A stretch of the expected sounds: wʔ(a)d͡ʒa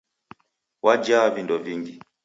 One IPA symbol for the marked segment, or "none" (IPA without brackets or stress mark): a